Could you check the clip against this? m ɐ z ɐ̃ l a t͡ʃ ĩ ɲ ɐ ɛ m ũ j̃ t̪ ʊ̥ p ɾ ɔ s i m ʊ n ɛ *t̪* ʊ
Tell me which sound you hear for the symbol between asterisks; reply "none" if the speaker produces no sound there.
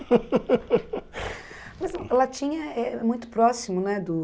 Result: d̪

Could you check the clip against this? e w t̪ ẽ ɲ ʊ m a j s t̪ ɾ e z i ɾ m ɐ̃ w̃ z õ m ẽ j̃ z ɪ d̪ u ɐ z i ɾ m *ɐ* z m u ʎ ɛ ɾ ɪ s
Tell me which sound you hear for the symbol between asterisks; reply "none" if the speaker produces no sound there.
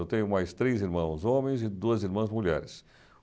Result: ɐ̃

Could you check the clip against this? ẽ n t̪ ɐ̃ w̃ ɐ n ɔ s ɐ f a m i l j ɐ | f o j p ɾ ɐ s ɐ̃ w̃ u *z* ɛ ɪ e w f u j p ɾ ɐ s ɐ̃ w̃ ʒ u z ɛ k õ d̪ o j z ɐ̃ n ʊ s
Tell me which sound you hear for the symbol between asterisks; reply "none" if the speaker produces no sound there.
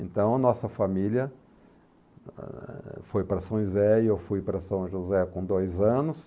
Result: z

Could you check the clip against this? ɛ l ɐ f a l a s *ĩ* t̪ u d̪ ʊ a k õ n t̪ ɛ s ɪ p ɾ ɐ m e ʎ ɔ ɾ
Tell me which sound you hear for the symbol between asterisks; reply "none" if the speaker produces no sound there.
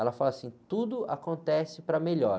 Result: ĩ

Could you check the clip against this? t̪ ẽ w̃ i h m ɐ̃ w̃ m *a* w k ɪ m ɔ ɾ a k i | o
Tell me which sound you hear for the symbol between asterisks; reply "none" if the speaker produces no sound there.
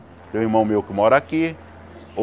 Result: e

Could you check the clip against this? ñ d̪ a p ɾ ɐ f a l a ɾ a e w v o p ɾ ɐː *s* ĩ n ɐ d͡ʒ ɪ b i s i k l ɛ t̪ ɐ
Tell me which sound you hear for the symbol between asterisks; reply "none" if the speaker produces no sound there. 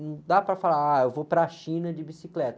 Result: ʃ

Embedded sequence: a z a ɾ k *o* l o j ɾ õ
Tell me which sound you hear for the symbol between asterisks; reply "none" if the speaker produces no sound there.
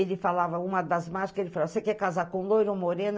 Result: õ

